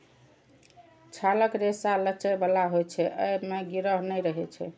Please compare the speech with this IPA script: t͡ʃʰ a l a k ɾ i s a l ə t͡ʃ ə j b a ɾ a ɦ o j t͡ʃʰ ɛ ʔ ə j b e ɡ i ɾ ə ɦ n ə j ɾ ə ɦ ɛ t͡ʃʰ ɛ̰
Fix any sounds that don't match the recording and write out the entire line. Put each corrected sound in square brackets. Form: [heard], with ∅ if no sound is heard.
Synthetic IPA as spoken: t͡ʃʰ a l [ə] k ɾ [e] s a l ə t͡ʃ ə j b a [l] a ɦ o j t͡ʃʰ ɛ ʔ ə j [m] e ɡ i ɾ ə ɦ n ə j ɾ ə ɦ ɛ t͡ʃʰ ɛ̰